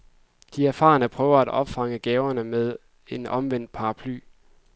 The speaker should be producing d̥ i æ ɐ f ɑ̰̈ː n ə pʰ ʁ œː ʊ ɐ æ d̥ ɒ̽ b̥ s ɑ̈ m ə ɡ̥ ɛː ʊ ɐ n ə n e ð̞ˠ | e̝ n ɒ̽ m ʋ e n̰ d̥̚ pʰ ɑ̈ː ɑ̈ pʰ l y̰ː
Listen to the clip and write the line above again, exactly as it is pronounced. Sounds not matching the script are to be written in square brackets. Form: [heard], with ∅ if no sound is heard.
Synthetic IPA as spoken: d̥ i æ ɐ f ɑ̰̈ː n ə pʰ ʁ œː ʊ ɐ æ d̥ ɒ̽ b̥ [f] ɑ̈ [ŋ] ə ɡ̥ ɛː ʊ ɐ n ə [m] e ð̞ˠ | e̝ n ɒ̽ m ʋ e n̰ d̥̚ pʰ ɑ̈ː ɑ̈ pʰ l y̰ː